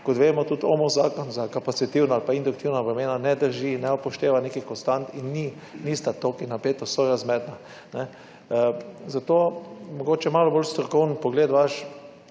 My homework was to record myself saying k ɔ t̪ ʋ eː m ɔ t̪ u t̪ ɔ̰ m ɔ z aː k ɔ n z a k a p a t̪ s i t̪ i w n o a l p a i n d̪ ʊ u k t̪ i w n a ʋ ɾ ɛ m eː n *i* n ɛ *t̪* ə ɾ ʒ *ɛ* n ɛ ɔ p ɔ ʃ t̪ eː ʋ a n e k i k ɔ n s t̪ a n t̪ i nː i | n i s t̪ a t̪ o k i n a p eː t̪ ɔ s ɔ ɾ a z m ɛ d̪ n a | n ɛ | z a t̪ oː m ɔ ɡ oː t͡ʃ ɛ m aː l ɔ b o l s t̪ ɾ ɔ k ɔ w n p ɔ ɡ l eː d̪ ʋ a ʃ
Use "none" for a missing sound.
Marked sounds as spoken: a, d̪, i

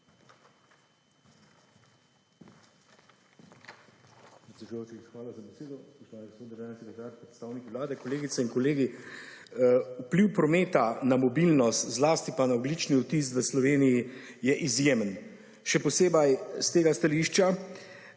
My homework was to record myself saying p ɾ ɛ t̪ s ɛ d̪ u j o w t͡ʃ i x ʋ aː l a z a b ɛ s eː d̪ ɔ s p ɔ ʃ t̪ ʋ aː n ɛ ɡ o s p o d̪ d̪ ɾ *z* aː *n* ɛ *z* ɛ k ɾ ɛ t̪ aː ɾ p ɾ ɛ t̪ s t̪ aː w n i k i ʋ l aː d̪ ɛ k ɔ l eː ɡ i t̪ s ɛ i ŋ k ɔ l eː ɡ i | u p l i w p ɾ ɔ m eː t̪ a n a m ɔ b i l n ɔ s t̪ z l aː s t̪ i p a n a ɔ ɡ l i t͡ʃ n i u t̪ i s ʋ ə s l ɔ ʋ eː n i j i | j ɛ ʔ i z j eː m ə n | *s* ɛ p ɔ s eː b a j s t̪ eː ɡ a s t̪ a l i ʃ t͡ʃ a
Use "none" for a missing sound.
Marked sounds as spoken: ʒ, n, s, ʃ

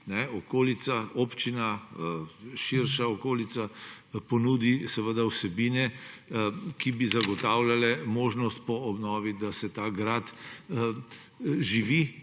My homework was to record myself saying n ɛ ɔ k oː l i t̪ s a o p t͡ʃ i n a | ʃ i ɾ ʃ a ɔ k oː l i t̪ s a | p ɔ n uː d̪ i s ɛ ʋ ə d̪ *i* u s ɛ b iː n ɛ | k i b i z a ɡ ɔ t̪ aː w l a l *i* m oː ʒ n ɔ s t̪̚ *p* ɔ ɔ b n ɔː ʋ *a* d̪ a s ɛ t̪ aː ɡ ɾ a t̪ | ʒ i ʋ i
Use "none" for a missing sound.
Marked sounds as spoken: a, ɛ, p, i

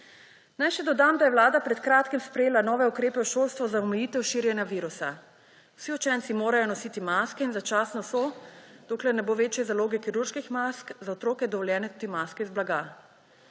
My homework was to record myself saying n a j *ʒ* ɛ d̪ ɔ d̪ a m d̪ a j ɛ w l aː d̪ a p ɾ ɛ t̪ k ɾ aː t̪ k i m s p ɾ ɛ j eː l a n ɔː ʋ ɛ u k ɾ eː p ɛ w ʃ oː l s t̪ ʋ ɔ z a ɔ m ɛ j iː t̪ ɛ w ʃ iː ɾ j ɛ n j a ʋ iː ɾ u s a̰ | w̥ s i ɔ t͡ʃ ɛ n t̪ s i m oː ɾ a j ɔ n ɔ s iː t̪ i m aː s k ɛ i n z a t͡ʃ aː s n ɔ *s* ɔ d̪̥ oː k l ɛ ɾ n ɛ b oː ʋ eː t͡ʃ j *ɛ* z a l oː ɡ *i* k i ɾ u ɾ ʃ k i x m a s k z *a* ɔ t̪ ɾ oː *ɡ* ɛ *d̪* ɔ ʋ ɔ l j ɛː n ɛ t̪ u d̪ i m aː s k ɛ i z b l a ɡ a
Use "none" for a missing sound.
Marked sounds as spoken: ʃ, s, ɛ, ɛ, a, k, d̪

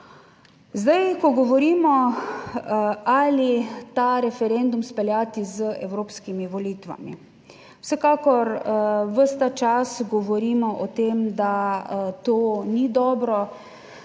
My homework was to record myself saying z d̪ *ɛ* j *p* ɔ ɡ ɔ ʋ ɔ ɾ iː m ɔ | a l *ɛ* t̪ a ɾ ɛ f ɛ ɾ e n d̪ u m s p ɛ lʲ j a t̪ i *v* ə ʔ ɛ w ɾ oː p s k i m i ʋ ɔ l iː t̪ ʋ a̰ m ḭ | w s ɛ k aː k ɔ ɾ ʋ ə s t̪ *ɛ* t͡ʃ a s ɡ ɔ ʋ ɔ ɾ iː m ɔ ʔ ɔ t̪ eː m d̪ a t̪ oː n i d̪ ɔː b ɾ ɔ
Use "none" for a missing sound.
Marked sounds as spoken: a, k, i, z, a

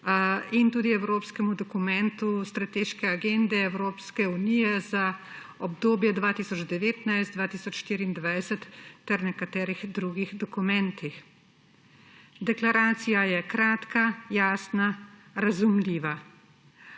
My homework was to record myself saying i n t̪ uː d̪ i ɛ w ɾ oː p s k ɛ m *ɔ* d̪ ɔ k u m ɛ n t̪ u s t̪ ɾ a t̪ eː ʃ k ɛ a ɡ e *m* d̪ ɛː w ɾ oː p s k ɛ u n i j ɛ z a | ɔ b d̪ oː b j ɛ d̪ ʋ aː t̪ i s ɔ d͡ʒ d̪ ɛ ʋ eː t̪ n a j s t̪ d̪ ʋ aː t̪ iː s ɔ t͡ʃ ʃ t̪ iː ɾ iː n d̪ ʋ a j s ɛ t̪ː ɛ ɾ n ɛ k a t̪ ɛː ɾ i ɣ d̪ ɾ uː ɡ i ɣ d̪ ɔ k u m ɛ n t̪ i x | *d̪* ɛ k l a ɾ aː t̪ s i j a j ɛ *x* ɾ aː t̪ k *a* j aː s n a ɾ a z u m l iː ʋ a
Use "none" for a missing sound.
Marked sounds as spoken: u, n, d̪, k, a

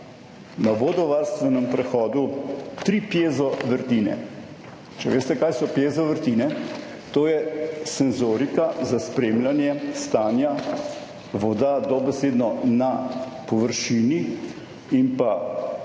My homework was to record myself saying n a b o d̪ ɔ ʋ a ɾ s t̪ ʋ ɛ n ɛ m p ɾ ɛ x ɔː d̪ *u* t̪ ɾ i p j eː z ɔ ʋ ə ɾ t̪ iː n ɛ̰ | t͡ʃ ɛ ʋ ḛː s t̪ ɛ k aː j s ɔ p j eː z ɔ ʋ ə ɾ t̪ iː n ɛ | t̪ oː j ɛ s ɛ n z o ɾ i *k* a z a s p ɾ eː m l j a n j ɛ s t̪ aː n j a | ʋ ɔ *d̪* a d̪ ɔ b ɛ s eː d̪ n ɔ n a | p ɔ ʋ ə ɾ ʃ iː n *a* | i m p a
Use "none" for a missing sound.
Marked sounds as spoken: u, k, d̪, i

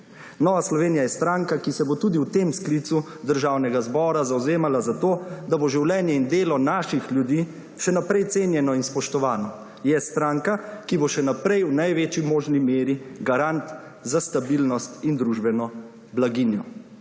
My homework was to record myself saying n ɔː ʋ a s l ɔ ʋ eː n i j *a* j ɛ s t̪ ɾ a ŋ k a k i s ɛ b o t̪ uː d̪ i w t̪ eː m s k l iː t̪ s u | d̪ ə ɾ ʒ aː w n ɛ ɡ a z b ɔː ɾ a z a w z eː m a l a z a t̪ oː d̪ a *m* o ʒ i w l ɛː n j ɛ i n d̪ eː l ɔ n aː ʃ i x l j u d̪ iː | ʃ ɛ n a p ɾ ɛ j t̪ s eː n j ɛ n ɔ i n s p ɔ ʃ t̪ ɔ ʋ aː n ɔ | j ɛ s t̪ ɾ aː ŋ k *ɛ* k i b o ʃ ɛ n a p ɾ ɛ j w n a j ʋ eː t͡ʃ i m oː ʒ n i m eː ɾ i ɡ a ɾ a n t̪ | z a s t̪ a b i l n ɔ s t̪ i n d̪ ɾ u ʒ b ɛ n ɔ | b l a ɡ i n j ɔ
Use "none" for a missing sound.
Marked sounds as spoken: a, b, a

